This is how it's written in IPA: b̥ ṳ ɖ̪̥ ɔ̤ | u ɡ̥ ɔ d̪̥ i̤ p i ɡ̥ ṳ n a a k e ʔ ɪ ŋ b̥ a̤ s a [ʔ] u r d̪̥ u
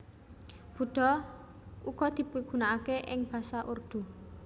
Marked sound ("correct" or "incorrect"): correct